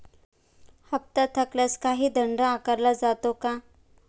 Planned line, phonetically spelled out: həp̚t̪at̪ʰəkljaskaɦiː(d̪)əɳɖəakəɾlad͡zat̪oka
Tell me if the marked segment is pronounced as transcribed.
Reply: yes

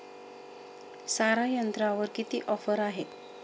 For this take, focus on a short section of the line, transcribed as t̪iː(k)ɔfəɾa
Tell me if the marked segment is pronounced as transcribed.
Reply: no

